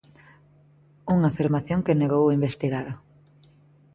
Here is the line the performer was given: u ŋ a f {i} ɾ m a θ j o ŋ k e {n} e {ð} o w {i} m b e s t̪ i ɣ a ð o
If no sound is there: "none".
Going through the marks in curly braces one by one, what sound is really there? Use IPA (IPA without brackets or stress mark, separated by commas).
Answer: i, n, ɣ, i